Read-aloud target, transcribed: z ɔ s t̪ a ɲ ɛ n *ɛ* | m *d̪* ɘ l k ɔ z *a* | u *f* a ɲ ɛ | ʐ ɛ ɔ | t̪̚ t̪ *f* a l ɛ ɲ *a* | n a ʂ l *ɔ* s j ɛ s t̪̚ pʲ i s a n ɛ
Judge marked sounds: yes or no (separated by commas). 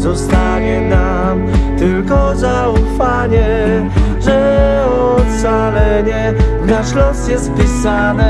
no, no, yes, yes, no, no, yes